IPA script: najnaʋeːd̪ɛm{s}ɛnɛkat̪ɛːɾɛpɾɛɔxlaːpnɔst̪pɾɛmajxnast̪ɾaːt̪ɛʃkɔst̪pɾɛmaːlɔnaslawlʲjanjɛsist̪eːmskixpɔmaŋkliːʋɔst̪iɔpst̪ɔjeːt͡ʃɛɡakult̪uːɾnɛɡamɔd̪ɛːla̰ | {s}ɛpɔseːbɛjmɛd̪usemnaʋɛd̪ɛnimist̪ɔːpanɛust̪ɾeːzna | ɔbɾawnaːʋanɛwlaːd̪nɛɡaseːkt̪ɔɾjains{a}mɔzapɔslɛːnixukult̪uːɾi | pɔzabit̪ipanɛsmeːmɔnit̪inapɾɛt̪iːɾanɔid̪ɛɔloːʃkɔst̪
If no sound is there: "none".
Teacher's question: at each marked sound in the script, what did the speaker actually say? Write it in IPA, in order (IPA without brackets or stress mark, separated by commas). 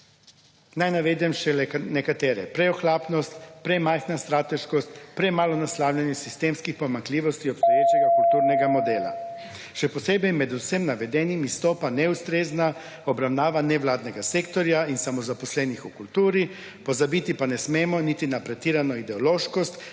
ʃ, ʃ, a